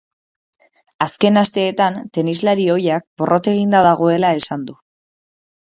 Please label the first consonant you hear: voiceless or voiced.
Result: voiceless